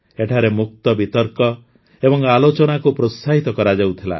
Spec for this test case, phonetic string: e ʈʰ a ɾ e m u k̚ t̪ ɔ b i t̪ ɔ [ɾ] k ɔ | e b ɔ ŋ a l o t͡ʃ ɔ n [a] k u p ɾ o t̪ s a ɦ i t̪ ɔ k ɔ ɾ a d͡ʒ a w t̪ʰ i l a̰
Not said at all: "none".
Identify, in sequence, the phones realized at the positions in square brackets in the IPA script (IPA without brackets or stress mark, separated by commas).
ɾ, a